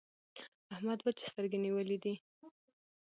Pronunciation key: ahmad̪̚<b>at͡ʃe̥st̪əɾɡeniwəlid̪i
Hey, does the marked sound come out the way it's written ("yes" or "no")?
yes